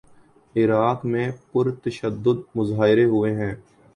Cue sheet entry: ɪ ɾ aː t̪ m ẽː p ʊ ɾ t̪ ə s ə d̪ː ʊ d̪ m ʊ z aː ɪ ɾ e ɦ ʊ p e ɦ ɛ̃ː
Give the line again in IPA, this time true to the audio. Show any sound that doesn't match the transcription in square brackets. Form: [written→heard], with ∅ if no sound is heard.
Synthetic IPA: ɪ ɾ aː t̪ m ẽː p ʊ ɾ t̪ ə [s→ʃ] ə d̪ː ʊ d̪ m ʊ z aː ɪ ɾ e ɦ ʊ [p→∅] e ɦ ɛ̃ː